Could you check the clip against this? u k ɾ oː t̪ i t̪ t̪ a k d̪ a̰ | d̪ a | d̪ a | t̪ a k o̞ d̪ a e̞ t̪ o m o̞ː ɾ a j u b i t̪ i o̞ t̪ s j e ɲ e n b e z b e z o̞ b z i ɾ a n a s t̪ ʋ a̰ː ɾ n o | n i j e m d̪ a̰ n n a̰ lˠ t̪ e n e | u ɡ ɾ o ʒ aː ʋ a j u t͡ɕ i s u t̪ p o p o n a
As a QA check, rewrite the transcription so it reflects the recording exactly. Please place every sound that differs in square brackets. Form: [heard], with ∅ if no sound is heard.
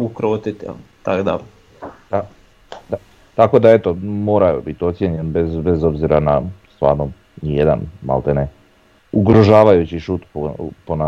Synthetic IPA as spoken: u k ɾ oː t̪ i t̪ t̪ a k d̪ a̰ | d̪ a | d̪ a | t̪ a k o̞ d̪ a e̞ t̪ o m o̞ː ɾ a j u b i t̪ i o̞ t̪ s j e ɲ e n b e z b e z o̞ b z i ɾ a n a s t̪ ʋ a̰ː ɾ n o | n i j e [∅] d̪ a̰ n [m] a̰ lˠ t̪ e n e | u ɡ ɾ o ʒ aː ʋ a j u t͡ɕ i [ʃ] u t̪ p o p o n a